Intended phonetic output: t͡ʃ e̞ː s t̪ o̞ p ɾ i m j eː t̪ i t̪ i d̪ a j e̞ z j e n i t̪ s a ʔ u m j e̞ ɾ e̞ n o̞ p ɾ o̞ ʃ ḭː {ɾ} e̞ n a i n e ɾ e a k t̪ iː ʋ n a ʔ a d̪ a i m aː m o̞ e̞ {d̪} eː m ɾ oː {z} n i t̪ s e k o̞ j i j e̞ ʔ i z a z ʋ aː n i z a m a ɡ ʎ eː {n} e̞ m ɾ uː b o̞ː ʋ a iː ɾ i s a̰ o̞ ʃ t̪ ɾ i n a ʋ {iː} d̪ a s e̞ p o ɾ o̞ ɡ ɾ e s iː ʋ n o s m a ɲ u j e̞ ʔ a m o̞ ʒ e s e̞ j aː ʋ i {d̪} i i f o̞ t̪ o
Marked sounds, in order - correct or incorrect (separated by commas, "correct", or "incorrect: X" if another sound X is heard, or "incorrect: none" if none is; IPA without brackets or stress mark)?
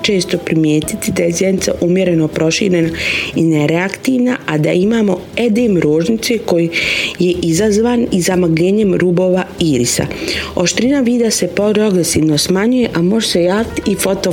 correct, correct, incorrect: ʒ, incorrect: ɲ, correct, incorrect: t̪